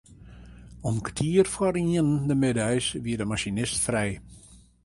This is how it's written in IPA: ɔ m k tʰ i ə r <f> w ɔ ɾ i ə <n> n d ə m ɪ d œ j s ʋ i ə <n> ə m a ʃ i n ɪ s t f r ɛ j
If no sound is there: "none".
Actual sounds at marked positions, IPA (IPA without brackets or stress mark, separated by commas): f, n, d